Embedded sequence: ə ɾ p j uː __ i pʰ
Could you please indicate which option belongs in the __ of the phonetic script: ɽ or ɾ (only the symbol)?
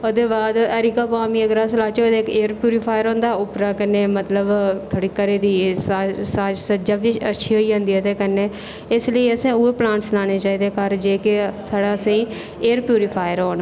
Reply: ɾ